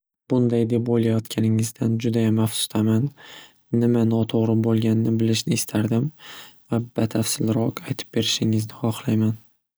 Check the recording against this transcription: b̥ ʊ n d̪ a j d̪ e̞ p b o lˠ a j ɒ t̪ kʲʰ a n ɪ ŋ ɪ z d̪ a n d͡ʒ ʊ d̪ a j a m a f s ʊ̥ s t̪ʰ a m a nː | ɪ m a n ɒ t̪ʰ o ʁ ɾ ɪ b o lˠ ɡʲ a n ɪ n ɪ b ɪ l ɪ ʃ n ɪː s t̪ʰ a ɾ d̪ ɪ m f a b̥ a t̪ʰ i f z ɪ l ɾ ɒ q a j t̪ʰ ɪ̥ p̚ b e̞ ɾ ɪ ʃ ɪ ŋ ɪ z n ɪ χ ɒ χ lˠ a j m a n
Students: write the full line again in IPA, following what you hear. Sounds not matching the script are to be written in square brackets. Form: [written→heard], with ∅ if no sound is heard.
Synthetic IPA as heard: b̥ ʊ n d̪ a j d̪ e̞ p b o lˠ a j ɒ t̪ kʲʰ a n ɪ ŋ ɪ z d̪ a n d͡ʒ ʊ d̪ a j a m a f s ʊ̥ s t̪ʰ a m a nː | ɪ m a n ɒ t̪ʰ o ʁ ɾ ɪ b o lˠ ɡʲ a n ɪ n ɪ b ɪ l ɪ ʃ n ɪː s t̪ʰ a ɾ d̪ ɪ m [f→v] a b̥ a t̪ʰ [i→a] f [z→s] ɪ l ɾ ɒ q a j t̪ʰ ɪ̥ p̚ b e̞ ɾ ɪ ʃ ɪ ŋ ɪ z n ɪ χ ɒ χ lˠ a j m a n